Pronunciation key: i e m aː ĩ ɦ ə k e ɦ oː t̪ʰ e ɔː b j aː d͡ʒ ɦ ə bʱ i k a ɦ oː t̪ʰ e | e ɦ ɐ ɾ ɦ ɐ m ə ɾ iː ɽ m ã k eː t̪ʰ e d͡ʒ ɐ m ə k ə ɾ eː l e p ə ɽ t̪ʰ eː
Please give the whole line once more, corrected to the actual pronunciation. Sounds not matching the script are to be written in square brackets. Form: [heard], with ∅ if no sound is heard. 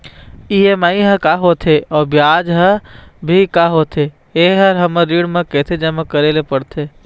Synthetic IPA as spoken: i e m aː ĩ ɦ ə k [a] ɦ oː t̪ʰ e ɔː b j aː d͡ʒ ɦ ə bʱ i k a ɦ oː t̪ʰ e | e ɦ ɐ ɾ ɦ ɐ m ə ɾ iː ɽ m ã k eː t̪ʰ e d͡ʒ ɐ m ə k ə ɾ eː l e p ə ɽ t̪ʰ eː